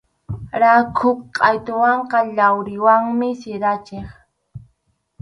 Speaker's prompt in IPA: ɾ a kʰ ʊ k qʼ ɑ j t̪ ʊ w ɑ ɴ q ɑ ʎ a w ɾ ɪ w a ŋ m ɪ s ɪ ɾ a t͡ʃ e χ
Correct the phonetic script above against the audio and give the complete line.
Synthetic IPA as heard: ɾ a kʰ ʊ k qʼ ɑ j t̪ ʊ w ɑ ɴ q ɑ ʎ a w ɾ ɪ w a ŋ m ɪ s ɪ ɾ a t͡ʃ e χ